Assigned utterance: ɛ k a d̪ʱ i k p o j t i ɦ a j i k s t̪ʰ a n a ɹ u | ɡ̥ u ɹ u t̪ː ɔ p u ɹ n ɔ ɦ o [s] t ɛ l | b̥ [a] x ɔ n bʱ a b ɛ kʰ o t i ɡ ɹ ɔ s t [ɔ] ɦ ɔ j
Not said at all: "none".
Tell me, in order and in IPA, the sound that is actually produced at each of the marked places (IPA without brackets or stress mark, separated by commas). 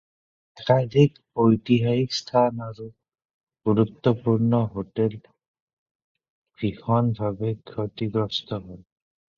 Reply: none, i, ɔ